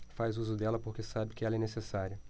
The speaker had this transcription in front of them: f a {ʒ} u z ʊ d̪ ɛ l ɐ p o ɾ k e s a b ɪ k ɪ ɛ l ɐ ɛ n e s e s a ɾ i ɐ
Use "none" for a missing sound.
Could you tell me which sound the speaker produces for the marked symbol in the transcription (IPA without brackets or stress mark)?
z